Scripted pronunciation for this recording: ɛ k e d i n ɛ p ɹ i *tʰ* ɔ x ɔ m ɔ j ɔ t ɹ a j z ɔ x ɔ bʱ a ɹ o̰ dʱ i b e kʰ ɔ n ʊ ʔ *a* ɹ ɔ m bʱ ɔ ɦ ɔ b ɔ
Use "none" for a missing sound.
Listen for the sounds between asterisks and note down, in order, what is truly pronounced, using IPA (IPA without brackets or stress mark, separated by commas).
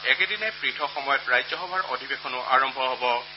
tʰ, a